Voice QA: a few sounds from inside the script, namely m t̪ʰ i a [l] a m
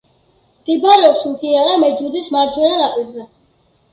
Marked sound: incorrect: ɾ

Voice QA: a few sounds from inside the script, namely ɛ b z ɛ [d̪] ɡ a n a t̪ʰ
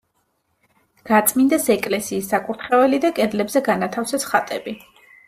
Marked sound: incorrect: none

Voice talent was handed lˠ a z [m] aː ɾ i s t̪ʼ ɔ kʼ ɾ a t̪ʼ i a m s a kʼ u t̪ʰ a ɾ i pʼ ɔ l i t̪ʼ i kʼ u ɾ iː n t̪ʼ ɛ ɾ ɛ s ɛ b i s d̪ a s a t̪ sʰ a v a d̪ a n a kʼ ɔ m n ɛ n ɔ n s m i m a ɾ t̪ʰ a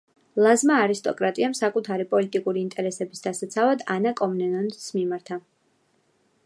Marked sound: correct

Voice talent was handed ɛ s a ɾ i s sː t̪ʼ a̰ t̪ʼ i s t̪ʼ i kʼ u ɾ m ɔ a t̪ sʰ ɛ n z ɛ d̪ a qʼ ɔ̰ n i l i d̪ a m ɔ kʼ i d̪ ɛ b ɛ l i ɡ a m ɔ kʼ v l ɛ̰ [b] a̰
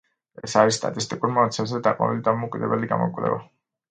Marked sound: incorrect: v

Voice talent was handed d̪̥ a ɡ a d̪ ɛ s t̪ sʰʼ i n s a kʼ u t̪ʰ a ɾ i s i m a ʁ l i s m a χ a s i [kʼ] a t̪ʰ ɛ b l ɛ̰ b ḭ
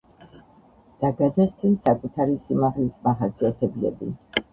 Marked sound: incorrect: none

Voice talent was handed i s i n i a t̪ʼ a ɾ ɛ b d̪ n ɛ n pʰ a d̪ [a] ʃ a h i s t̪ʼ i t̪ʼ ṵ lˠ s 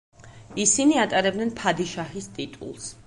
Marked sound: incorrect: i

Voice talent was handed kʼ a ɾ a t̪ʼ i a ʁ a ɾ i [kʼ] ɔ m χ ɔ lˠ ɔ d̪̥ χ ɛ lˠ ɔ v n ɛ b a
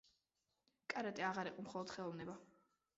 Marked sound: incorrect: qʼ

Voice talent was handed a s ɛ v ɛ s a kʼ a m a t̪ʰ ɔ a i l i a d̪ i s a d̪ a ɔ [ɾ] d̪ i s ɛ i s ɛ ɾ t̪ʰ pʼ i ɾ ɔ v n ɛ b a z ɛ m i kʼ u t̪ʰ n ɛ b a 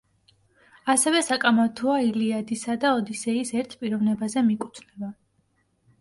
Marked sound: incorrect: none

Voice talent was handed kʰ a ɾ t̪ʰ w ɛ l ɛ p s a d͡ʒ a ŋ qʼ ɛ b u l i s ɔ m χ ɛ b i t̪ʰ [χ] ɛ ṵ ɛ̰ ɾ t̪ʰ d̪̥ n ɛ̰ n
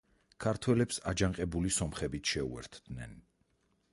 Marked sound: incorrect: ʃ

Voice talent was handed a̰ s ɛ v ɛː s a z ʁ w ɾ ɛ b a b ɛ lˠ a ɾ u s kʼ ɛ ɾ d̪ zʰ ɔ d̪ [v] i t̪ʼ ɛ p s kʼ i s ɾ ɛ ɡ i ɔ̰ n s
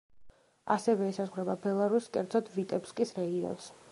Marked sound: correct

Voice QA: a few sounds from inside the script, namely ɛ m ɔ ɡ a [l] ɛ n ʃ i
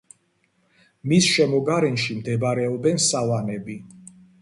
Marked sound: incorrect: ɾ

